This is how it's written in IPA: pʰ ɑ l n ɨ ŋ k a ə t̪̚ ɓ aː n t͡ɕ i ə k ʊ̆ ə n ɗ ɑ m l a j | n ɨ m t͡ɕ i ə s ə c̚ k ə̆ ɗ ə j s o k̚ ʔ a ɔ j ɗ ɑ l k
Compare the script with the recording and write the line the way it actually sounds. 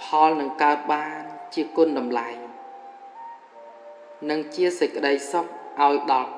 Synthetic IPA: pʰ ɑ l n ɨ ŋ k a ə t̪̚ ɓ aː n t͡ɕ i ə k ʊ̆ ə n ɗ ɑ m l a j | n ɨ ŋ t͡ɕ i ə s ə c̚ k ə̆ ɗ ə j s o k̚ ʔ a ɔ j ɗ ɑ l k